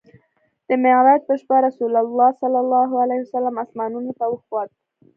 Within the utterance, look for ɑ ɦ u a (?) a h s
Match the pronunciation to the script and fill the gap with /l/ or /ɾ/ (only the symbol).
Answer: l